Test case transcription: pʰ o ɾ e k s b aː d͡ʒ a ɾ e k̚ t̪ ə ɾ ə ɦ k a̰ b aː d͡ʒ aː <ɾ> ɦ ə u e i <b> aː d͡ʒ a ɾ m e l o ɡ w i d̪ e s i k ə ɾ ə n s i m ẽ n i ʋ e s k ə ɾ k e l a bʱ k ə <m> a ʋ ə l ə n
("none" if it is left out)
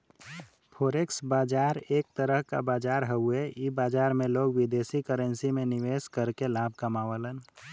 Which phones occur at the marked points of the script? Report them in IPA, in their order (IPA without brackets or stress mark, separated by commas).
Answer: ɾ, b, m